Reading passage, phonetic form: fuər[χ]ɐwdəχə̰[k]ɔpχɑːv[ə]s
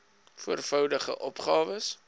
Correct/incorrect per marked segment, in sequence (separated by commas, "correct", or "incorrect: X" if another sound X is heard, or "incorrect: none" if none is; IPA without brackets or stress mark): incorrect: f, incorrect: ʔ, correct